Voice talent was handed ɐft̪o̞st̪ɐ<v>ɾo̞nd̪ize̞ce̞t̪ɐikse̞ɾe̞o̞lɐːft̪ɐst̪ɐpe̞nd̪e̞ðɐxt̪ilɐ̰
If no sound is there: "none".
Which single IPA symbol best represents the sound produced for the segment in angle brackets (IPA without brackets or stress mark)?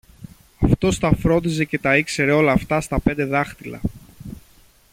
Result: f